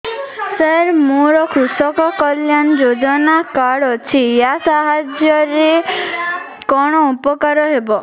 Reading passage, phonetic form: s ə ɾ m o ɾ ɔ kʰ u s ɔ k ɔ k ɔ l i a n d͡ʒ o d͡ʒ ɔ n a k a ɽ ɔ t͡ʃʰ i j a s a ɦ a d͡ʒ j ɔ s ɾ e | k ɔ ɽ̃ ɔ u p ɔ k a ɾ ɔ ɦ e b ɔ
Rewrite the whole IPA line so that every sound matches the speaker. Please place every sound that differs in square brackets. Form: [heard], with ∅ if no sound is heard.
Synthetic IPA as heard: s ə ɾ m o ɾ ɔ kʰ u s ɔ k ɔ k ɔ l [j] a n d͡ʒ o d͡ʒ ɔ n a k a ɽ ɔ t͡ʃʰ i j a s a ɦ a d͡ʒ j ɔ [∅] ɾ e | k ɔ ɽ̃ ɔ u p ɔ k a ɾ ɔ ɦ e b ɔ